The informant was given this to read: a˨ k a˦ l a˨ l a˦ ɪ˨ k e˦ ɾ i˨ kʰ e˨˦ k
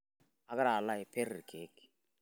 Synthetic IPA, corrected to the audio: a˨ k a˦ ɾ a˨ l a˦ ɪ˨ p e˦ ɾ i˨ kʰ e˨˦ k